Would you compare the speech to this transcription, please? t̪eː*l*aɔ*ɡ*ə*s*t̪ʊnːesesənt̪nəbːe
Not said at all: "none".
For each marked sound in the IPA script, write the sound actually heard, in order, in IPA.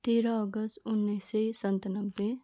ɾ, ɡ, s

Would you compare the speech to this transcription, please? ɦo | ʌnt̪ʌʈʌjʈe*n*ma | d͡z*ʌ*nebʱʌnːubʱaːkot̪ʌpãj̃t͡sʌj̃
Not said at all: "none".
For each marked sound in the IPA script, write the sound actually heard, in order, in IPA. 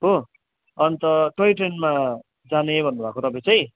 n, a

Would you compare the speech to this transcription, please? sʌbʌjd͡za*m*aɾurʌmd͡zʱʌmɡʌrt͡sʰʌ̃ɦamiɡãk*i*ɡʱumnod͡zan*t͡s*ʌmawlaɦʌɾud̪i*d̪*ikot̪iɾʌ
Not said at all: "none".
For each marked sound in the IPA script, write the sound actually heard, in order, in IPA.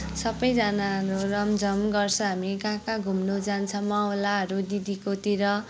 n, a, t͡sʰ, d̪

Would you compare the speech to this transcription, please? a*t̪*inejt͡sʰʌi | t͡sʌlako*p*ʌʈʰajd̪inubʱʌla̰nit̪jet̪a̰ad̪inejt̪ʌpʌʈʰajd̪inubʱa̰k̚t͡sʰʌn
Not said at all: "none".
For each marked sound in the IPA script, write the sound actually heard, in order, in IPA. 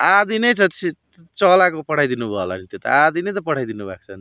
d̪, p

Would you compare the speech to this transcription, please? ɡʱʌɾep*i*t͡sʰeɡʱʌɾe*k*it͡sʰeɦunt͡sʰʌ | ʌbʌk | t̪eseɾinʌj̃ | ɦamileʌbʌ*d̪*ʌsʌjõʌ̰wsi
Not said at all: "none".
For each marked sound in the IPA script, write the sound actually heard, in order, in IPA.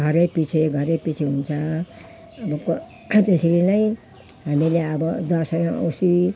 i, p, d̪

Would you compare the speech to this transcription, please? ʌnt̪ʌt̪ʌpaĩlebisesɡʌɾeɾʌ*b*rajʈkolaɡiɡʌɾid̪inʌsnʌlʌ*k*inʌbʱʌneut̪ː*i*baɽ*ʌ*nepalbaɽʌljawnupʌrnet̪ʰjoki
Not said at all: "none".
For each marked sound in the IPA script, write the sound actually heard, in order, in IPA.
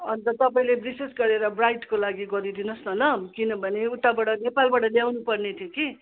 b, k, a, ʌ

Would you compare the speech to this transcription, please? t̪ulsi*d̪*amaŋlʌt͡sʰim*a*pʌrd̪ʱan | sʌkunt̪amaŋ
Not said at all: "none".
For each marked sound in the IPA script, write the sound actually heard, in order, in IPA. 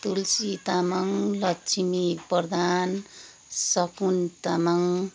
t̪, i

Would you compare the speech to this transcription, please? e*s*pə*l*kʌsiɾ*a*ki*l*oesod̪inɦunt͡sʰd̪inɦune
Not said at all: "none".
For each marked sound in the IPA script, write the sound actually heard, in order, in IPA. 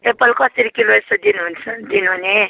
none, l, i, l

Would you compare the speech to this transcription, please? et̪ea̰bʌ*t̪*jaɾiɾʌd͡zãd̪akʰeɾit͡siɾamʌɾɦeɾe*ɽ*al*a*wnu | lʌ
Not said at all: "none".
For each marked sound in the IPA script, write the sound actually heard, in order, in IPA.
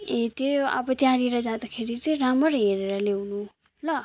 t̪, ɾ, e

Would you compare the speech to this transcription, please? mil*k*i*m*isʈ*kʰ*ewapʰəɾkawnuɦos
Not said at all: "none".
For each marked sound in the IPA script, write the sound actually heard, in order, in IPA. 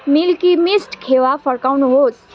k, m, kʰ

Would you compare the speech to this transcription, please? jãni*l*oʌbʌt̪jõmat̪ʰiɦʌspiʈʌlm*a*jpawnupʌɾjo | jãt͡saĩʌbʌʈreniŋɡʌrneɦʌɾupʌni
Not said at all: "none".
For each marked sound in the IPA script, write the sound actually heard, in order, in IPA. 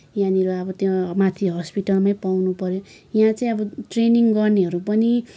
ɾ, a

